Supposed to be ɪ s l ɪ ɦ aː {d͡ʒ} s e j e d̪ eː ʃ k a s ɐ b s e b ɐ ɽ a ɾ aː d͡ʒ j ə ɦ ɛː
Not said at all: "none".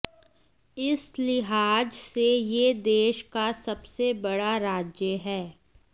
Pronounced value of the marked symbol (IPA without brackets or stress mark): d͡ʒ